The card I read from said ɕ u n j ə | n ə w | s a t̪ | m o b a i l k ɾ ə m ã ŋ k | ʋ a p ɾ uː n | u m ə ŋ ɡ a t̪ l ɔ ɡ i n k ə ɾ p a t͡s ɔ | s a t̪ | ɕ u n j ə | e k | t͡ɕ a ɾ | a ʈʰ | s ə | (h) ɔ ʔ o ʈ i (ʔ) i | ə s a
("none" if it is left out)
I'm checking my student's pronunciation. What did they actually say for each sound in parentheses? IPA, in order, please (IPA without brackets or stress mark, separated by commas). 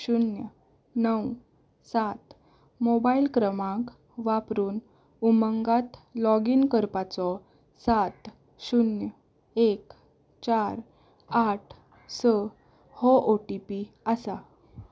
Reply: h, p